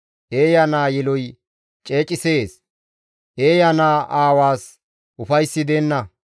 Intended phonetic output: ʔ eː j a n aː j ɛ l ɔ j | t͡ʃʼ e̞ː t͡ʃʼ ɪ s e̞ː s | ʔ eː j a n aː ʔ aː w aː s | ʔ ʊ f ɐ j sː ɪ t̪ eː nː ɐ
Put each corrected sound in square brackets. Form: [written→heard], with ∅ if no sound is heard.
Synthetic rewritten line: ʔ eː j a n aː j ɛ l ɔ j | t͡ʃʼ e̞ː t͡ʃʼ ɪ s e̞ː s | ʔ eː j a n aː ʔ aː w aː s | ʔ ʊ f ɐ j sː ɪ [t̪→d̪] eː nː ɐ